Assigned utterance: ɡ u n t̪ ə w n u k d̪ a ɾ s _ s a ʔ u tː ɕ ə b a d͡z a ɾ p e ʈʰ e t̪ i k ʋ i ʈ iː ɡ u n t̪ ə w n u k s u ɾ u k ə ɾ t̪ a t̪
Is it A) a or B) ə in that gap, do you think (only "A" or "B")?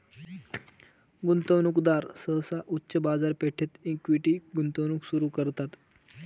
B